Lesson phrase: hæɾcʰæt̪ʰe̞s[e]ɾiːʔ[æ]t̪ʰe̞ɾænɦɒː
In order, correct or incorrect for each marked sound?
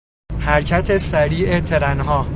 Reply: incorrect, incorrect

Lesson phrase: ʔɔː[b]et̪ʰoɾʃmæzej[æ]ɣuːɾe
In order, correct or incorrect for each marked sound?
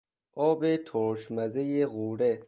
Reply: correct, incorrect

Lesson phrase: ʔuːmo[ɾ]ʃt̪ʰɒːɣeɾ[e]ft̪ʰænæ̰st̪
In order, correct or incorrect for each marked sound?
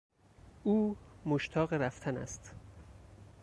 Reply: incorrect, incorrect

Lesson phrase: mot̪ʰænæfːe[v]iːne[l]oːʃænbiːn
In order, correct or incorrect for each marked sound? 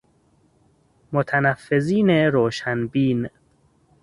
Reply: incorrect, incorrect

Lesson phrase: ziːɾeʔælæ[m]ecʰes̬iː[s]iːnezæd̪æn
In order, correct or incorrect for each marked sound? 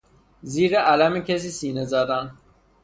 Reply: correct, correct

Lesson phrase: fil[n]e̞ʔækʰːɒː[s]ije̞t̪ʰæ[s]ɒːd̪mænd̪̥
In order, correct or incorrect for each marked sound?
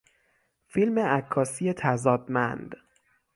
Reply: incorrect, correct, incorrect

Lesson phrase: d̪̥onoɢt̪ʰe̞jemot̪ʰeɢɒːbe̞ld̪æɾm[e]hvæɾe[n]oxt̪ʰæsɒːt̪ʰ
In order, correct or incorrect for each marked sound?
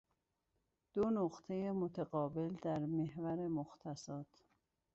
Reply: correct, incorrect

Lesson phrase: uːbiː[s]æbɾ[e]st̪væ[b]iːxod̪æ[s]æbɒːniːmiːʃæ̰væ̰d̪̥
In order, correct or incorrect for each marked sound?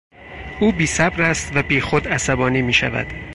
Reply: correct, incorrect, correct, correct

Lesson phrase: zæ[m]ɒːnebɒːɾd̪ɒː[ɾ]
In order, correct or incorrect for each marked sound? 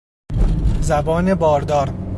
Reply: incorrect, correct

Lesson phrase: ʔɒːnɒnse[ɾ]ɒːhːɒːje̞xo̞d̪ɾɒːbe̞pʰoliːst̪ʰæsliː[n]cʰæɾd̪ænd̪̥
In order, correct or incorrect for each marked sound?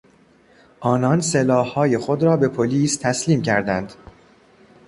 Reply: incorrect, incorrect

